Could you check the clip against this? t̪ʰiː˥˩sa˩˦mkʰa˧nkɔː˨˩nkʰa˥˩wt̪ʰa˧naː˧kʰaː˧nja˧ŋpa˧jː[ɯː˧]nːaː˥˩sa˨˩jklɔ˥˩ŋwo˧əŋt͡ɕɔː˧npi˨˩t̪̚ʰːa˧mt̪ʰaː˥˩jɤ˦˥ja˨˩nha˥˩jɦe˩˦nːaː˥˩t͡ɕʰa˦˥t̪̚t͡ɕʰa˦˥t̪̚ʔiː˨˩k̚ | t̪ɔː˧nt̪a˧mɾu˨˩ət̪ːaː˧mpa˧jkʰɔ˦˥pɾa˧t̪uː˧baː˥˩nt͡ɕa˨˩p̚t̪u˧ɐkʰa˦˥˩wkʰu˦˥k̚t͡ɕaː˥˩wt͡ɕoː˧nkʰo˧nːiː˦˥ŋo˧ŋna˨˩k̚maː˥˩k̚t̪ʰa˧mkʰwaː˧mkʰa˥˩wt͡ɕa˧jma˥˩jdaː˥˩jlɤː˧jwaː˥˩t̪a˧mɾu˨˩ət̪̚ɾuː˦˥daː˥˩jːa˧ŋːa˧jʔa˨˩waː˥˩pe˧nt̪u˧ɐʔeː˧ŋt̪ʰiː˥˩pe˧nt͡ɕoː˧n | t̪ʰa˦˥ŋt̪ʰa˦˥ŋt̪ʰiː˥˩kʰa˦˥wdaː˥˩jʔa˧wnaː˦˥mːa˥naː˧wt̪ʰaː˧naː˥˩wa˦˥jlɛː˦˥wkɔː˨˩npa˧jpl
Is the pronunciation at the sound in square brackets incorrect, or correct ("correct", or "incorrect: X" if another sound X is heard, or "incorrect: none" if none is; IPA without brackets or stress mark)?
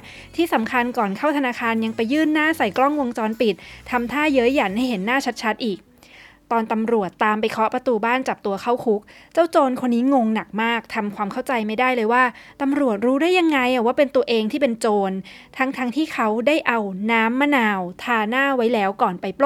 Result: incorrect: ɯː˥˩